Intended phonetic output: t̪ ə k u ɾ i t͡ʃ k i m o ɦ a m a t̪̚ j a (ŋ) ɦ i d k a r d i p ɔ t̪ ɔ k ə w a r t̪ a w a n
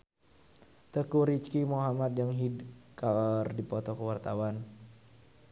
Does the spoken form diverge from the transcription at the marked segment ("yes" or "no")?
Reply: no